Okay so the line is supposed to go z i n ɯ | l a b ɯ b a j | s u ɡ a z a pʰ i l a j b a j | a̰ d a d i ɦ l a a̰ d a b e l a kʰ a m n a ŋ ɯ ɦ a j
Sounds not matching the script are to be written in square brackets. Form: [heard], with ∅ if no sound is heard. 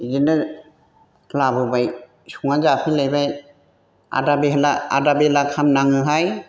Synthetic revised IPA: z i n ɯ | l a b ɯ b a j | s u [ŋ] a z a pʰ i l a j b a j | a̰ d a [b] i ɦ l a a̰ d a b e l a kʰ a m n a ŋ ɯ ɦ a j

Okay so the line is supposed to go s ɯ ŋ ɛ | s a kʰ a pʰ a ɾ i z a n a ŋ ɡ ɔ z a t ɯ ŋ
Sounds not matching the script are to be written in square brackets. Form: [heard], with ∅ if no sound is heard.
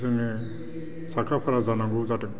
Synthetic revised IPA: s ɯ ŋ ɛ | s a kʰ a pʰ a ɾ [a] z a n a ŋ ɡ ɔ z a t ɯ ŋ

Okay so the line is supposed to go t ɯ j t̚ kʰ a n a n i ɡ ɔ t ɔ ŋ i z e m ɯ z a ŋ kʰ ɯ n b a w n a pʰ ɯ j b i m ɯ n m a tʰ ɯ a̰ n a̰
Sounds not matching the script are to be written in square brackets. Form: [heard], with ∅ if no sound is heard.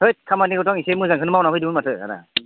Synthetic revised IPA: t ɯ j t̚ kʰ a [m] a n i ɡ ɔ t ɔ ŋ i [s] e m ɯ z a ŋ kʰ ɯ n [m] a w n a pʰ ɯ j [d] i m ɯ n m a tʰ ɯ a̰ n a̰

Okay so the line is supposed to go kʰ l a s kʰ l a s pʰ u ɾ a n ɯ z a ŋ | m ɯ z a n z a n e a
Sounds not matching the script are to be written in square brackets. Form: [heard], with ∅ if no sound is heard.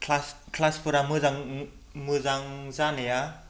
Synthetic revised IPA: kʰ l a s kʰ l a s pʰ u ɾ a [m] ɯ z a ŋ | m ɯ z a [ŋ] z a n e a

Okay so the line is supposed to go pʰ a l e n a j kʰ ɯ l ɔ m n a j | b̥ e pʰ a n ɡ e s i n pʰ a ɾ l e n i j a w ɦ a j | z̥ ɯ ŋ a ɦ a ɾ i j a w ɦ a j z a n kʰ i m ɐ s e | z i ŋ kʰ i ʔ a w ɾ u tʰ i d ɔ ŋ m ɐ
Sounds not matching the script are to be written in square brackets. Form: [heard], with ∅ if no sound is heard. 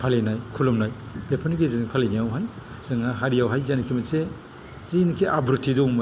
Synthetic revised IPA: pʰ a l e n a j kʰ [u] l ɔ m n a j | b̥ e pʰ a n ɡ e [z] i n pʰ a [∅] l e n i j a w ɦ a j | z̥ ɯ ŋ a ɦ a ɾ i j a w ɦ a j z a n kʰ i m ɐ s e | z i [n] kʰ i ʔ a [b] ɾ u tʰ i d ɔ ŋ m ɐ

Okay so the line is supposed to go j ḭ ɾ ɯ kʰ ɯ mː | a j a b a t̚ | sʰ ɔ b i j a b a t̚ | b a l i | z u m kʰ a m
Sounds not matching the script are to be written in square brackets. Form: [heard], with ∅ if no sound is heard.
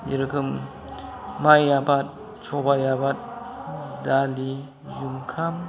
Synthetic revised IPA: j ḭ ɾ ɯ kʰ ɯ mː | a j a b a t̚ | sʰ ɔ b [a] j a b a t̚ | [d] a l i | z u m kʰ a m

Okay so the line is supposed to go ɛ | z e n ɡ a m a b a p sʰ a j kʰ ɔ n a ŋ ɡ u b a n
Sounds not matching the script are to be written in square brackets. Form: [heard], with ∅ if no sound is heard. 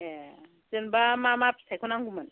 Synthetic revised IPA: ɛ | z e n [b] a m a [m] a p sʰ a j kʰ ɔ n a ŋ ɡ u [m] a n

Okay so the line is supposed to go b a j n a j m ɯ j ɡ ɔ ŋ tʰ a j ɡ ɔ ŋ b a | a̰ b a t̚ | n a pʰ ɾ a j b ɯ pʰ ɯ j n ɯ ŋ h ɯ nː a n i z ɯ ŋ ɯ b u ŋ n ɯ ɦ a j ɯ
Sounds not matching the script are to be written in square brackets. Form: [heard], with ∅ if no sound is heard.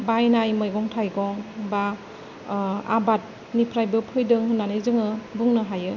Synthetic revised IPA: b a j n a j m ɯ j ɡ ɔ ŋ tʰ a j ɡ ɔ ŋ b a | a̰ b a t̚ | n [i] pʰ ɾ a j b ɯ pʰ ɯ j [d] ɯ ŋ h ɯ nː a n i z ɯ ŋ ɯ b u ŋ n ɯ ɦ a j ɯ

